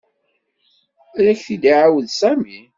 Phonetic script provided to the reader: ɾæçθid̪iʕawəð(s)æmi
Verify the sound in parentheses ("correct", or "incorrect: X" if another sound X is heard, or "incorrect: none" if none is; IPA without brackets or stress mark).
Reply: correct